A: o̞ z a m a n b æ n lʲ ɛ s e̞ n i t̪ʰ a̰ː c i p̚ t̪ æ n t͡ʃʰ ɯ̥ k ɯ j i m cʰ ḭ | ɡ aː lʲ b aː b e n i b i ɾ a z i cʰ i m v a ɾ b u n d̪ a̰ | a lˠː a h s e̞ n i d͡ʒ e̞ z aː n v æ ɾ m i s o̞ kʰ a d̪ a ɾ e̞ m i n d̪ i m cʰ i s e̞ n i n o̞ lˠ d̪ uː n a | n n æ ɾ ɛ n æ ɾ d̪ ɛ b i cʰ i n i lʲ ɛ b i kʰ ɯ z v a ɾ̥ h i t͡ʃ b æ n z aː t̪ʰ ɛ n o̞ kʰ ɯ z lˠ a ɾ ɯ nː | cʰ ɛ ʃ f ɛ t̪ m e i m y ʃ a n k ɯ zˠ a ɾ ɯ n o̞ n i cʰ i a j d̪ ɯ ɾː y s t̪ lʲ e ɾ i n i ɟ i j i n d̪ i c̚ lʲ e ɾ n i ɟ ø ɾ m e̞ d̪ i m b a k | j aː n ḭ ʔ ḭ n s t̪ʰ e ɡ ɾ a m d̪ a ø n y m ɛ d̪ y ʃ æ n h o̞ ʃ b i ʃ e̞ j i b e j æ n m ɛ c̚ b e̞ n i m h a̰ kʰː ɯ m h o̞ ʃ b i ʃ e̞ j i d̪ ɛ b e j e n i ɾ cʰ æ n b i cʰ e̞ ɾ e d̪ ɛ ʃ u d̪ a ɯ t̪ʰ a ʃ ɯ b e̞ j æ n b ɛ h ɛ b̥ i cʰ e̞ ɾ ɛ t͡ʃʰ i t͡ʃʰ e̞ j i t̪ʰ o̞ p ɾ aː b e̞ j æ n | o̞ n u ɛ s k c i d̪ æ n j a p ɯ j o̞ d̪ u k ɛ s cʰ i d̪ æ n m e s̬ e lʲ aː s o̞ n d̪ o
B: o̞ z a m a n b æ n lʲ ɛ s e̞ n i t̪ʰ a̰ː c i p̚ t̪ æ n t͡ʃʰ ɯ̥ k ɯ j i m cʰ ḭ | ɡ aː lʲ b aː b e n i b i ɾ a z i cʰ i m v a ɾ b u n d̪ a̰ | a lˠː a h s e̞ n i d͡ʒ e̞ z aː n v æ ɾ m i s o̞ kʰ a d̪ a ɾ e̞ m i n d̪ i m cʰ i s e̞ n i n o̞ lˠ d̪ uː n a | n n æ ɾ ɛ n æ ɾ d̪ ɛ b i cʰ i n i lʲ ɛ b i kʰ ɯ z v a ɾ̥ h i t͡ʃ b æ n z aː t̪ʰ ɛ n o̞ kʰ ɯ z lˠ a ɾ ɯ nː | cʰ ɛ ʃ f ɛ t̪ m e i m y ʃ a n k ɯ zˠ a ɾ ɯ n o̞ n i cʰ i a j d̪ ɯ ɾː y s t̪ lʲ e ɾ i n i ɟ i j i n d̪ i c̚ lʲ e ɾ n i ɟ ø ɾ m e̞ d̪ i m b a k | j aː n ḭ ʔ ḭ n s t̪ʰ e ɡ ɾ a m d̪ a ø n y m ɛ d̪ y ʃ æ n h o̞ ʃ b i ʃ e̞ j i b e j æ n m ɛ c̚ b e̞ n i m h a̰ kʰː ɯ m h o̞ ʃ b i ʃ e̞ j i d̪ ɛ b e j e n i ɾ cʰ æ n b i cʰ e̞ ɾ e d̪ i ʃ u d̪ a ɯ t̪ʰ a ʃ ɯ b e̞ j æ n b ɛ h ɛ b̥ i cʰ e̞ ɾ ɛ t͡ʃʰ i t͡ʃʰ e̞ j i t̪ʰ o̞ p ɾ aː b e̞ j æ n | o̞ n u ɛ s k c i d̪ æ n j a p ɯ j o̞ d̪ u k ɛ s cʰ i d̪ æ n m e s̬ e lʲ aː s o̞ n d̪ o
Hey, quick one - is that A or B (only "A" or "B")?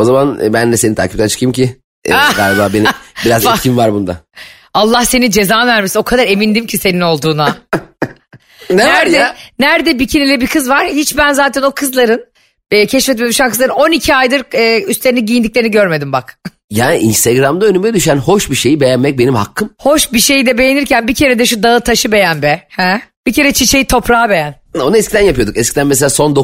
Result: A